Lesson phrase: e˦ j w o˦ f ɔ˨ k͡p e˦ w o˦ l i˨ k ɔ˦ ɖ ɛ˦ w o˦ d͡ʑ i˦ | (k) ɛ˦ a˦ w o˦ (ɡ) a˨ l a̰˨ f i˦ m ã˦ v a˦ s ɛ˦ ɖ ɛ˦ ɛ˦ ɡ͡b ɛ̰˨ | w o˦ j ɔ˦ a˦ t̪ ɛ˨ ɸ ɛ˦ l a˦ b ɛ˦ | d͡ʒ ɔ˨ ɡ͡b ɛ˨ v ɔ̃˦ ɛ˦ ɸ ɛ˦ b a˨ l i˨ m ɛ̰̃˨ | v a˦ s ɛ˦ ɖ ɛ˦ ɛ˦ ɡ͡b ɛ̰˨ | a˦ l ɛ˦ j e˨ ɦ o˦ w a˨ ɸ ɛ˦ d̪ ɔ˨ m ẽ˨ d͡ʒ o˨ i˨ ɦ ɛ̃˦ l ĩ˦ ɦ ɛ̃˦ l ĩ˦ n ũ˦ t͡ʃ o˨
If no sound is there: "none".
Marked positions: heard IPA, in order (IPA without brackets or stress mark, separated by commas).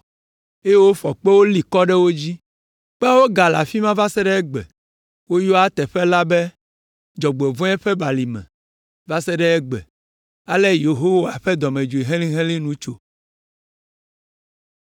k͡p, ɡ